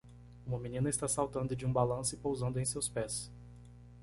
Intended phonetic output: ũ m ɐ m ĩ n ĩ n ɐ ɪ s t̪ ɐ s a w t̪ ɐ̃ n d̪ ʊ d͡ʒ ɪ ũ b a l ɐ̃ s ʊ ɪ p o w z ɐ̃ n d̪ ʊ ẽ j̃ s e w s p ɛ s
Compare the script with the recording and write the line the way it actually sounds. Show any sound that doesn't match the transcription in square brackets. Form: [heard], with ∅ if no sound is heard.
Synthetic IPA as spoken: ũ m ɐ m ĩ n ĩ n ɐ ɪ s t̪ [a] s a w t̪ ɐ̃ n d̪ ʊ d͡ʒ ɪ ũ b a l ɐ̃ s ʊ ɪ p o w z ɐ̃ n d̪ ʊ ẽ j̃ s e w s p ɛ s

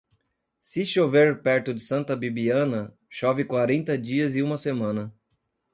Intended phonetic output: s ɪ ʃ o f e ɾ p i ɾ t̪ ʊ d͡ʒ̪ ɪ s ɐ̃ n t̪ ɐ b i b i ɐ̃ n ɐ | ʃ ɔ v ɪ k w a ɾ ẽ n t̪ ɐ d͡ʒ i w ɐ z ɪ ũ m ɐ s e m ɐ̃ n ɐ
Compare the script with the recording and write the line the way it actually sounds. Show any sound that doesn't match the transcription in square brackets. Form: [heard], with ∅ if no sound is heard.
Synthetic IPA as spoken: s ɪ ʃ o [v] e ɾ p [ɛ] ɾ t̪ ʊ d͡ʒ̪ ɪ s ɐ̃ n t̪ ɐ b i b i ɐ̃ n ɐ | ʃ ɔ v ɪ k w a ɾ ẽ n t̪ ɐ d͡ʒ i [∅] ɐ z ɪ ũ m ɐ s e m ɐ̃ n ɐ

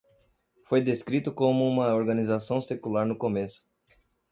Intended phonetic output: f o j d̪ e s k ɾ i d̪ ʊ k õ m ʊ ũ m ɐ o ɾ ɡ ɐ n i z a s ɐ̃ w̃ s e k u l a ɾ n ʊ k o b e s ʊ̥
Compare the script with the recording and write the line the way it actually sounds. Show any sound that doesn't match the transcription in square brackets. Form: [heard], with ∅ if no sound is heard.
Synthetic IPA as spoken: f o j d̪ e s k ɾ i [t̪] ʊ k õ m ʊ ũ m ɐ o ɾ ɡ ɐ n i z a s ɐ̃ w̃ s e k u l a ɾ n ʊ k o [m] e s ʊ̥

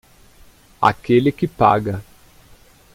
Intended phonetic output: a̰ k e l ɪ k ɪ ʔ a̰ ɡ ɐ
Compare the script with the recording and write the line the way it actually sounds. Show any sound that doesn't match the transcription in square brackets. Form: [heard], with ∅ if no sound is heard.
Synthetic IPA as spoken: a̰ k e l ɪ k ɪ [p] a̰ ɡ ɐ

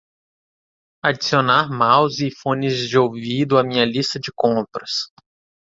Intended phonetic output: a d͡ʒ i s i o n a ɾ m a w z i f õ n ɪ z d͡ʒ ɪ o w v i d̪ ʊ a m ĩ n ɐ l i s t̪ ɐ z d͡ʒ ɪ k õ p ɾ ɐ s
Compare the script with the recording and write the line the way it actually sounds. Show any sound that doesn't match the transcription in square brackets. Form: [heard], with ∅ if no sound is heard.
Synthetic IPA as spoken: a d͡ʒ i s i o n a ɾ m a w z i f õ n ɪ z d͡ʒ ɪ o w v i d̪ ʊ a m ĩ [ɲ] ɐ l i s t̪ ɐ [∅] d͡ʒ ɪ k õ p ɾ ɐ s

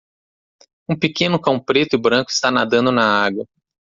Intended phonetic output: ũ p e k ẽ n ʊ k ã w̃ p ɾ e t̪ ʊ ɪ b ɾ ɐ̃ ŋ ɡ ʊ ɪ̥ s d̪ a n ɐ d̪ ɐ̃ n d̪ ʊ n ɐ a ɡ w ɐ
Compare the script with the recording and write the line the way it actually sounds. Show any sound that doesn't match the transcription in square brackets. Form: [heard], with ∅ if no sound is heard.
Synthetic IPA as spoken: ũ p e k ẽ n ʊ k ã w̃ p ɾ e t̪ ʊ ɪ b ɾ ɐ̃ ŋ [k] ʊ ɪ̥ s [t̪] a n [a] d̪ ɐ̃ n d̪ ʊ n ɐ a ɡ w ɐ

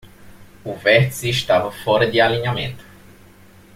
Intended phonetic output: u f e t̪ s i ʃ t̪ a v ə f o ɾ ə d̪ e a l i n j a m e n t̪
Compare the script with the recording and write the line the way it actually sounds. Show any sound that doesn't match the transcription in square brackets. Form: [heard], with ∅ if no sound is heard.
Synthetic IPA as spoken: u [v] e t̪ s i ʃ t̪ a v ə f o ɾ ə d̪ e a l i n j a m e n t̪

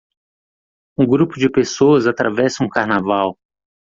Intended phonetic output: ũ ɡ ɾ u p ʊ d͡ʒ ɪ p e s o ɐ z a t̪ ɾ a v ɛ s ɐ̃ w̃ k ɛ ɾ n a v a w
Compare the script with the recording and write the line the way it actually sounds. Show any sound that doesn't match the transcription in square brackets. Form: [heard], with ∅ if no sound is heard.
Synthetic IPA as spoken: ũ ɡ ɾ u p ʊ d͡ʒ ɪ p e s o ɐ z a t̪ ɾ a v ɛ s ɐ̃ [ũ] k [a] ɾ n a v a w

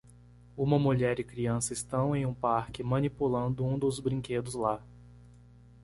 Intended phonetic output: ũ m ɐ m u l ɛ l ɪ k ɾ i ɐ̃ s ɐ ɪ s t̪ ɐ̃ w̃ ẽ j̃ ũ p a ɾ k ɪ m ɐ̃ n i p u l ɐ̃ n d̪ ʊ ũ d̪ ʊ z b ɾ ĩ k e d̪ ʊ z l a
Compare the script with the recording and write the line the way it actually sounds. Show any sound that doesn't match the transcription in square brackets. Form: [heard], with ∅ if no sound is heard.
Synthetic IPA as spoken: ũ m ɐ m u [ʎ] ɛ [ɾ] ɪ k ɾ i ɐ̃ s ɐ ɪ s t̪ ɐ̃ w̃ ẽ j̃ ũ p a ɾ k ɪ m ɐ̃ n i p u l ɐ̃ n d̪ ʊ ũ d̪ ʊ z b ɾ ĩ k e d̪ ʊ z l a

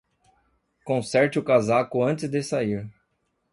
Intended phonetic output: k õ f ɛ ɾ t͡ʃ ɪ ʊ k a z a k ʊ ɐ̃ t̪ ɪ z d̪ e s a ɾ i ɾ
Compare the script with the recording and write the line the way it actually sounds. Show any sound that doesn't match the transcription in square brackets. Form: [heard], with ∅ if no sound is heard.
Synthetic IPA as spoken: k õ [s] ɛ ɾ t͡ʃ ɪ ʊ k a z a k ʊ ɐ̃ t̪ ɪ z d̪ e s a [∅] i ɾ

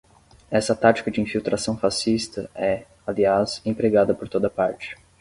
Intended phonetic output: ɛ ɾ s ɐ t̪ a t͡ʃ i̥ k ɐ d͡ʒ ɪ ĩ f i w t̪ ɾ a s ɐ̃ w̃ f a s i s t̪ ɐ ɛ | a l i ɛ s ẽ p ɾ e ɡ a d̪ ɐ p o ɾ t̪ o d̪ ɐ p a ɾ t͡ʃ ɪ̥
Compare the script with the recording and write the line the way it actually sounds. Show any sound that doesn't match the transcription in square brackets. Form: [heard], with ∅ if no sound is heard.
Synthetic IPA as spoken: ɛ [∅] s ɐ t̪ a t͡ʃ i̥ k ɐ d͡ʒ ɪ ĩ f i w t̪ ɾ a s ɐ̃ w̃ f a s i s t̪ ɐ ɛ | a l i [a] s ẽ p ɾ e ɡ a d̪ ɐ p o ɾ t̪ o d̪ ɐ p a ɾ t͡ʃ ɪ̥

